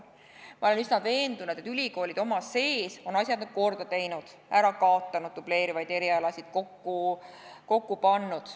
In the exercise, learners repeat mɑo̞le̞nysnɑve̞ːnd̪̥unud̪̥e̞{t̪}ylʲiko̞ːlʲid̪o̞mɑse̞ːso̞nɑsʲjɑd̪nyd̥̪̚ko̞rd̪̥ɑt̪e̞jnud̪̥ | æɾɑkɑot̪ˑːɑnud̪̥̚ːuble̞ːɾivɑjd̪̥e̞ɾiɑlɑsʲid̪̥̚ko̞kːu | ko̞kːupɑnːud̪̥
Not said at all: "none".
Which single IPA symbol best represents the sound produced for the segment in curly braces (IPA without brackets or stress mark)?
t̪